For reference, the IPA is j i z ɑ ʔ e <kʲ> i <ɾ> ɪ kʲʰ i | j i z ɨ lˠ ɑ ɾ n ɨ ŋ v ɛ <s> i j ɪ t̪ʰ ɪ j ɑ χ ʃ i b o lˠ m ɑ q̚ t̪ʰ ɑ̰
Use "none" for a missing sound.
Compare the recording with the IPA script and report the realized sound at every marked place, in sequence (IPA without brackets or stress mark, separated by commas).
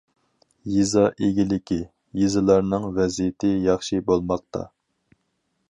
ɡʲ, l, z